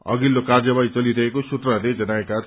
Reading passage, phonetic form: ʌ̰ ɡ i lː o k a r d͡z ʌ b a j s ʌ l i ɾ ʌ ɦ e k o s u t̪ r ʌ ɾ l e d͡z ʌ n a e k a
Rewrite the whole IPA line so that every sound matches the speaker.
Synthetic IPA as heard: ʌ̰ ɡ i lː o k a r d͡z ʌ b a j t͡s ʌ l i ɾ ʌ ɦ e k o s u t̪ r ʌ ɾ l e d͡z ʌ n a e k a